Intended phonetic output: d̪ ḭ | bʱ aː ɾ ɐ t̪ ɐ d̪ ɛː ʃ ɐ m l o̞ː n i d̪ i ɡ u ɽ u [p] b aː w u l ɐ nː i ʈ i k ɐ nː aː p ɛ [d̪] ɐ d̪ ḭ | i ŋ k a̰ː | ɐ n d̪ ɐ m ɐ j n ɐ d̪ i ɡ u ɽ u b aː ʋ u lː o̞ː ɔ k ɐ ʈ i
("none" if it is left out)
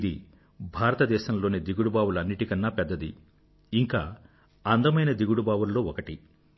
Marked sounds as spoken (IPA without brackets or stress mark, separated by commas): none, d̪ː